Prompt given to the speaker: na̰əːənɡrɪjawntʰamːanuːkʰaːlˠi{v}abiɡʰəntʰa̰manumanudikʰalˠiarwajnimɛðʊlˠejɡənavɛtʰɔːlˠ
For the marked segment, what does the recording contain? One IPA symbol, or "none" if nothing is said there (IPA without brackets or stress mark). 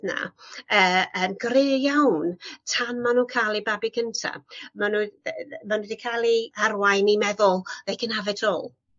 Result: b